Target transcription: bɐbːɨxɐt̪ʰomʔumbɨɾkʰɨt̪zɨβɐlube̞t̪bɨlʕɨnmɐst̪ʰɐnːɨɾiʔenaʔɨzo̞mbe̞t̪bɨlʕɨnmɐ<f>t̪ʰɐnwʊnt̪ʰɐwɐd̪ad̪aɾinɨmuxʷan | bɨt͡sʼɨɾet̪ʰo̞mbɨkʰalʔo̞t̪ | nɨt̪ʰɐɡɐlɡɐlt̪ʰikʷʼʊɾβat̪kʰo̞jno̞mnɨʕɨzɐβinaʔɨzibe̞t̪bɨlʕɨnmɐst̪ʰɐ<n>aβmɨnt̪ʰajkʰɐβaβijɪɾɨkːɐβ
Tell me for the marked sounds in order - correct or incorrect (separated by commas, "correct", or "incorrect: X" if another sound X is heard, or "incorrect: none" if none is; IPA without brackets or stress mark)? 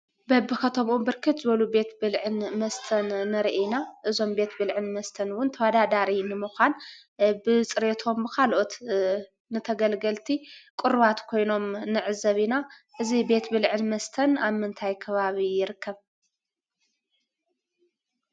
incorrect: s, correct